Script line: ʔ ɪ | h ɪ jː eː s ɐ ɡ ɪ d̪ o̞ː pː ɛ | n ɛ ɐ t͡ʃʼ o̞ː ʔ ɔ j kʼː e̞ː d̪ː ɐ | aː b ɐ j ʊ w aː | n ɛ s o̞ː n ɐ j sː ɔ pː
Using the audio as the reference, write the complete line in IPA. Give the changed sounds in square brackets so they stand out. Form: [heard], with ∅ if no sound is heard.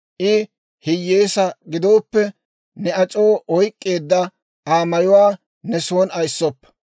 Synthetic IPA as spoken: ʔ ɪ | h ɪ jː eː s ɐ ɡ ɪ d̪ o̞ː pː ɛ | n ɛ ɐ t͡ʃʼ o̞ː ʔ ɔ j kʼː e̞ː d̪ː ɐ | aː [m] ɐ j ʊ w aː | n ɛ s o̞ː n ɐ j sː ɔ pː